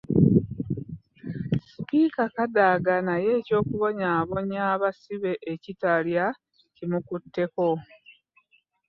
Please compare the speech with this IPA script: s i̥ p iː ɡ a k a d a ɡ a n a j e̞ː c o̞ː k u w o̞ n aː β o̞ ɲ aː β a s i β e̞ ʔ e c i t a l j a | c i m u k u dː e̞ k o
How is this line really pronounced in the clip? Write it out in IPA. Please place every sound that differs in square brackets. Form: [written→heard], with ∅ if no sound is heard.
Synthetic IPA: s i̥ p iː [ɡ→k] a k a d a ɡ a n a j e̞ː c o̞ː k u [w→β] o̞ [n→ɲ] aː β o̞ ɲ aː β a s i β e̞ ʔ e c i t a l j a | c i m u k u [dː→tː] e̞ k o